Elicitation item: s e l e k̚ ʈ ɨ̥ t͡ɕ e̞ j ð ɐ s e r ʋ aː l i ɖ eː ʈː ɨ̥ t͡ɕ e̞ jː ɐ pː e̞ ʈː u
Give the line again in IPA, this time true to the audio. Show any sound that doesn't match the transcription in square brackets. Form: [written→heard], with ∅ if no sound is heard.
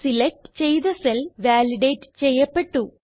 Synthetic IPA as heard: s [e→i] l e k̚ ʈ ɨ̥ t͡ɕ e̞ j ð ɐ s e [r→l] ʋ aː l i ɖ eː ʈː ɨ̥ t͡ɕ e̞ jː ɐ pː e̞ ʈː u